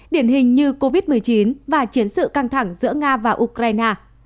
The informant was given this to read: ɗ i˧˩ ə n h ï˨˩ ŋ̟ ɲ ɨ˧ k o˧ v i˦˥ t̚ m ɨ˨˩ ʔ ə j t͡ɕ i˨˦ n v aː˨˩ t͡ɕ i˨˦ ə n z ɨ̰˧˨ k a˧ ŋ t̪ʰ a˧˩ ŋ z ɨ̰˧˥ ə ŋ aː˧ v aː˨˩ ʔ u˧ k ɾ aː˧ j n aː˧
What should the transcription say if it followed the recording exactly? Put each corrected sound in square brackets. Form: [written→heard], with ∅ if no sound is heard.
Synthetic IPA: ɗ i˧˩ ə n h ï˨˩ ŋ̟ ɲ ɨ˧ k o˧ v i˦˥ t̚ m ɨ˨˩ [ʔ→∅] ə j t͡ɕ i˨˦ n v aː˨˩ t͡ɕ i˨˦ ə n [z→s] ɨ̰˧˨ k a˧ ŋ t̪ʰ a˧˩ ŋ z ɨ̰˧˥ ə ŋ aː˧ v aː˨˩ ʔ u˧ k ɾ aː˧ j n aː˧

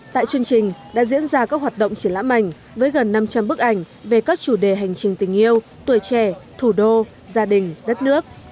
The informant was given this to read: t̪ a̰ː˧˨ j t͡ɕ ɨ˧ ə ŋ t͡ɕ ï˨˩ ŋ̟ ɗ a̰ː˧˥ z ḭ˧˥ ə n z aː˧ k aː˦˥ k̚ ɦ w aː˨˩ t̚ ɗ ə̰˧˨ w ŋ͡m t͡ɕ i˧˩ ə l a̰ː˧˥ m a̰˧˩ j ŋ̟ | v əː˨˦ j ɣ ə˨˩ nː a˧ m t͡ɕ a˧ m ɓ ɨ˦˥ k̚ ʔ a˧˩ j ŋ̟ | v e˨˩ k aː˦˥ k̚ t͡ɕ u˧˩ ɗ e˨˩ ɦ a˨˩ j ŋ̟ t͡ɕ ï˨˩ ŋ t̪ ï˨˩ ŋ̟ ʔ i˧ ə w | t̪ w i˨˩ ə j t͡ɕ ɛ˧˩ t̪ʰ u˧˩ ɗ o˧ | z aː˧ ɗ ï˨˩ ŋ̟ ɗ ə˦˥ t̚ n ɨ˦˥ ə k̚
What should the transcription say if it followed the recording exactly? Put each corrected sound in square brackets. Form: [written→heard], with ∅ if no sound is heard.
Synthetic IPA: t̪ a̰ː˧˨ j t͡ɕ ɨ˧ ə ŋ t͡ɕ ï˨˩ ŋ̟ ɗ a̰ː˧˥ z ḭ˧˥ ə n z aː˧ k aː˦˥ k̚ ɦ w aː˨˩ t̚ ɗ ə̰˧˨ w ŋ͡m t͡ɕ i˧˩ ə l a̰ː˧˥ m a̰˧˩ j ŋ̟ | v əː˨˦ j ɣ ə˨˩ nː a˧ m t͡ɕ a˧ m ɓ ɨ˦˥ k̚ ʔ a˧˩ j ŋ̟ | v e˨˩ k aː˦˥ k̚ t͡ɕ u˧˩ ɗ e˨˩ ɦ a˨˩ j ŋ̟ t͡ɕ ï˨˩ ŋ t̪ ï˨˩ ŋ̟ ʔ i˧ ə w | t̪ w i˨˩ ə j t͡ɕ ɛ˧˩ t̪ʰ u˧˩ ɗ o˧ | z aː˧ ɗ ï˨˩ ŋ̟ ɗ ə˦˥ t̚ n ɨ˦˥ ə k̚

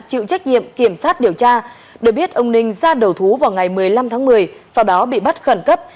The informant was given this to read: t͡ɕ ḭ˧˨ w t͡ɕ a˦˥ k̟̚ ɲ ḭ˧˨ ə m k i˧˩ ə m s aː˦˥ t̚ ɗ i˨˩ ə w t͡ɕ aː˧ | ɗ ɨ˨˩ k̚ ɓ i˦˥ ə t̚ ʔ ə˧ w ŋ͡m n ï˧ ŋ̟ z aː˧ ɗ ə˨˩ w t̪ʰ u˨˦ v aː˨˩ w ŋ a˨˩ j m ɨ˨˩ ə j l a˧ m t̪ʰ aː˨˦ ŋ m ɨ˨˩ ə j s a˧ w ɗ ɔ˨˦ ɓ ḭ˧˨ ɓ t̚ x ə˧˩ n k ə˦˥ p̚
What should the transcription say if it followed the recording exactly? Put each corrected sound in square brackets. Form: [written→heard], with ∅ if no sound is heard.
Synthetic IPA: t͡ɕ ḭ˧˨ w t͡ɕ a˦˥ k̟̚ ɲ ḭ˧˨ ə m k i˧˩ ə m s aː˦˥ t̚ ɗ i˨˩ ə w t͡ɕ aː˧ | ɗ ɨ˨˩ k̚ ɓ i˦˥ ə t̚ ʔ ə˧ w ŋ͡m n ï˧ ŋ̟ z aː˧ ɗ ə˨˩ w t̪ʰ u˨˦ v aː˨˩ w ŋ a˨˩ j m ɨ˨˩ ə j l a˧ m t̪ʰ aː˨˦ ŋ m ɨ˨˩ ə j s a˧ w ɗ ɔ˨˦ ɓ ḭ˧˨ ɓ t̚ x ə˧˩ n k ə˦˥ p̚

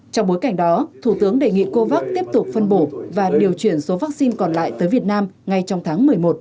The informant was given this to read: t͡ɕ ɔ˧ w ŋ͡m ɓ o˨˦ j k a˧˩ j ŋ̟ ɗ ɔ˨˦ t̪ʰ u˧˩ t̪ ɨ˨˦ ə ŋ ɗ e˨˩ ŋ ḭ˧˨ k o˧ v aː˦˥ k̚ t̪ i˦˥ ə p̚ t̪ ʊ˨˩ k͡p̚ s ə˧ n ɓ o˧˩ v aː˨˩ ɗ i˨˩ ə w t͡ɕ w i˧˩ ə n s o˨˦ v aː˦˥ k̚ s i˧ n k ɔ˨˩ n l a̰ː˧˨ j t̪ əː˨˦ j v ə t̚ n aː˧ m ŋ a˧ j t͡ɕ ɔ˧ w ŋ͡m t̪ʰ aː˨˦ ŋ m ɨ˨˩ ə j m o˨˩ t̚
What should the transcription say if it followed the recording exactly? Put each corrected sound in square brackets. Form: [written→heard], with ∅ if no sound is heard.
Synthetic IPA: t͡ɕ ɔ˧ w ŋ͡m ɓ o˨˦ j k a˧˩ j ŋ̟ ɗ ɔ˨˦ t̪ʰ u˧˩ t̪ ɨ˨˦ ə ŋ ɗ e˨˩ ŋ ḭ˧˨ k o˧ v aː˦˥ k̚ t̪ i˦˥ ə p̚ t̪ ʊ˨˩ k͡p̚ [s→f] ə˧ n ɓ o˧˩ v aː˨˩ ɗ i˨˩ ə w t͡ɕ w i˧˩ ə n s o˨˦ v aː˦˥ k̚ s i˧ n k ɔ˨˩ n l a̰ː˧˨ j t̪ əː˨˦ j v ə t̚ n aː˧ m ŋ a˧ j t͡ɕ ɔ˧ w ŋ͡m t̪ʰ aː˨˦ ŋ m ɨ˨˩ ə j m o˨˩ t̚

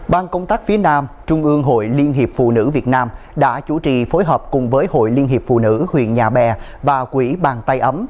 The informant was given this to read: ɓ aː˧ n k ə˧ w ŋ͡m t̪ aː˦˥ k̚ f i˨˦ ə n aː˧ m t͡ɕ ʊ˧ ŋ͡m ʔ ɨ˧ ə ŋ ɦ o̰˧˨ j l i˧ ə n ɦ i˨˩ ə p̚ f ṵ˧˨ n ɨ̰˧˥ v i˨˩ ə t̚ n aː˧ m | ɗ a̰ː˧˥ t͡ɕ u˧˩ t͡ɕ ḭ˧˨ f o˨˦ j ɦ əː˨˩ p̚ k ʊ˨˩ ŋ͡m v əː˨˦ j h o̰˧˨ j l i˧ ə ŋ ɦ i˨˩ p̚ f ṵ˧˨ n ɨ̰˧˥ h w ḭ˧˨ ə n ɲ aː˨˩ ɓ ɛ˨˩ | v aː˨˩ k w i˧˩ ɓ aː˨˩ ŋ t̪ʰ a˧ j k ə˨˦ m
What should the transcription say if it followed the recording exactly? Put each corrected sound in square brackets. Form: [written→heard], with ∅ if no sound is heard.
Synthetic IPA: ɓ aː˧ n k ə˧ w ŋ͡m t̪ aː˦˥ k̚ f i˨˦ ə n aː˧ m t͡ɕ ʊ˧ ŋ͡m ʔ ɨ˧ ə ŋ ɦ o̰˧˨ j l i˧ ə n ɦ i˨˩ ə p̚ f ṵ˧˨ n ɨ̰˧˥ v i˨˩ ə t̚ n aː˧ m | ɗ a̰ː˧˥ t͡ɕ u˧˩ t͡ɕ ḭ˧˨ f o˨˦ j ɦ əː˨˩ p̚ k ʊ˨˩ ŋ͡m v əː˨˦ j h o̰˧˨ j l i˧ ə [ŋ→n] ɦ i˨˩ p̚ f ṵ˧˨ n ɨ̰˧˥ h w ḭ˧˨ ə n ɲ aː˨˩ ɓ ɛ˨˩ | v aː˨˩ k w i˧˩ ɓ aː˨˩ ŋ [t̪ʰ→t̪] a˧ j [k→ʔ] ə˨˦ m

